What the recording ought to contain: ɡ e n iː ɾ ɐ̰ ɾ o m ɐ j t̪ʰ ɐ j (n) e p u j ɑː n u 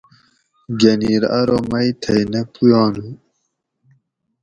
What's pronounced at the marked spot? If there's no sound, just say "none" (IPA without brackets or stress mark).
n